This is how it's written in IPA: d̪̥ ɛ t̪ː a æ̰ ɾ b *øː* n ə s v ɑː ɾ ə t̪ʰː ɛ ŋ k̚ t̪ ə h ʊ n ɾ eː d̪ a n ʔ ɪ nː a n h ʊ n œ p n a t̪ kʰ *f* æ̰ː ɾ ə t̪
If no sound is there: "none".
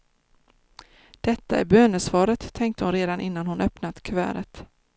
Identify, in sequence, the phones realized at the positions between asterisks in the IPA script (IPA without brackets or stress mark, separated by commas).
øː, v